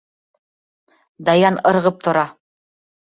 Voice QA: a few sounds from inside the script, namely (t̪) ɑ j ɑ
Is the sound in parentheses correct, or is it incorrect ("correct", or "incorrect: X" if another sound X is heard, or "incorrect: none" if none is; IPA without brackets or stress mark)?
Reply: incorrect: d̪